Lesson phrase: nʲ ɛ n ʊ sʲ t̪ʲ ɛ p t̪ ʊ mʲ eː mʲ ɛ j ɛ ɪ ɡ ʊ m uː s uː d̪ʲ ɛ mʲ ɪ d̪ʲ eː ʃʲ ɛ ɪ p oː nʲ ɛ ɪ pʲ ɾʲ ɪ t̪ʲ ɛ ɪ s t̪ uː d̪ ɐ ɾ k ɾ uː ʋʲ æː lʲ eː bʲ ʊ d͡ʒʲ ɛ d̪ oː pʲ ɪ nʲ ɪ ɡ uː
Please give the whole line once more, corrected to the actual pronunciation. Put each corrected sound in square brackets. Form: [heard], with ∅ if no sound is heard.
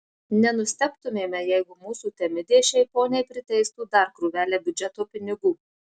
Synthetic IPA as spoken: nʲ ɛ n ʊ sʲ t̪ʲ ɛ p t̪ ʊ mʲ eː mʲ ɛ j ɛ ɪ ɡ ʊ m uː s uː [t̪ʲ] ɛ mʲ ɪ d̪ʲ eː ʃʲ ɛ ɪ p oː nʲ ɛ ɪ pʲ ɾʲ ɪ t̪ʲ ɛ ɪ s t̪ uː d̪ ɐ ɾ k ɾ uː ʋʲ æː lʲ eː bʲ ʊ d͡ʒʲ ɛ [t̪] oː pʲ ɪ nʲ ɪ ɡ uː